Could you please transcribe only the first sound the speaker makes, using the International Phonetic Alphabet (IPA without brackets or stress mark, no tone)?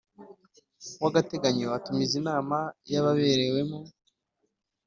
w